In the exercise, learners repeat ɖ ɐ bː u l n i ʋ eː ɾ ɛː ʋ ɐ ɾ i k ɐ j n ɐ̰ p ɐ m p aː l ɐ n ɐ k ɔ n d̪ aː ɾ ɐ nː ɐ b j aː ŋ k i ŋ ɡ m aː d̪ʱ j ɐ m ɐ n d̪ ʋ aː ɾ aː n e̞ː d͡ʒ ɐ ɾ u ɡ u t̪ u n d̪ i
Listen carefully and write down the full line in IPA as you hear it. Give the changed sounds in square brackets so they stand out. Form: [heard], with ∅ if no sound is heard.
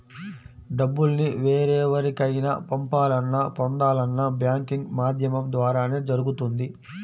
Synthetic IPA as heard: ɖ ɐ bː u l n i ʋ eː ɾ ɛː ʋ ɐ ɾ i k ɐ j n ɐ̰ p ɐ m p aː l ɐ [nː] ɐ [p] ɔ n d̪ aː [l] ɐ nː ɐ b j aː ŋ k i ŋ ɡ m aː d̪ʱ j ɐ m ɐ [m] d̪ ʋ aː ɾ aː n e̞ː d͡ʒ ɐ ɾ u ɡ u t̪ u n d̪ i